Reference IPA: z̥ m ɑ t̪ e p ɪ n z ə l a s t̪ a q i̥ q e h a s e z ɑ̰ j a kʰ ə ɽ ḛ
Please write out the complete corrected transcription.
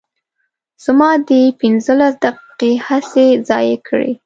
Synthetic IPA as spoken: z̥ m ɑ d̪ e p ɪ n z ə l a s d̪ a q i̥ q e h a s e z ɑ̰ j e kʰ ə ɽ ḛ